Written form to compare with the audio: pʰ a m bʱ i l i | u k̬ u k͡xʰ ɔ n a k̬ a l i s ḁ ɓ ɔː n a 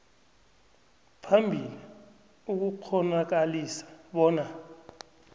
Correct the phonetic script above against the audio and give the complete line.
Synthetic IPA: pʰ a m bʱ i l i | u k̬ u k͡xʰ ɔ n a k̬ a l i s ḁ ɓ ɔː n a